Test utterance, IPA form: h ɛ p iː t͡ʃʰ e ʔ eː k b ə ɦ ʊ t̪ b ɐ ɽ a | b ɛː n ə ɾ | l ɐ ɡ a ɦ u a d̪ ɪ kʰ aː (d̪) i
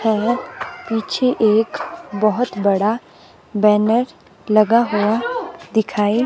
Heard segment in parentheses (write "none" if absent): none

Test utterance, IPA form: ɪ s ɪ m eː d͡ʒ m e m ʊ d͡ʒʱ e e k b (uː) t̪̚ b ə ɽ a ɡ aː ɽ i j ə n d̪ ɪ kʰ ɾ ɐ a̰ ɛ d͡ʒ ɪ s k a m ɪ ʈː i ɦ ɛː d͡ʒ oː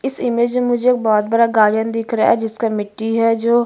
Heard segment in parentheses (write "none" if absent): ɔː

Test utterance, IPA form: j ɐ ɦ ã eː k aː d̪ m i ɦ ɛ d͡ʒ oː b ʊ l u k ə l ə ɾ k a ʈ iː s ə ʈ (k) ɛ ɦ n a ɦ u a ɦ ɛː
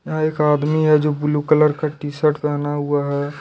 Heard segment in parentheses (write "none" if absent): p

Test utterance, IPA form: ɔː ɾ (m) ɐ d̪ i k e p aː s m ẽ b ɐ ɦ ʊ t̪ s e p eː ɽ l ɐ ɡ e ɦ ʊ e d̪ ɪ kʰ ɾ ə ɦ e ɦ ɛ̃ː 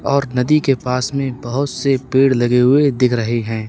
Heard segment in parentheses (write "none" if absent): n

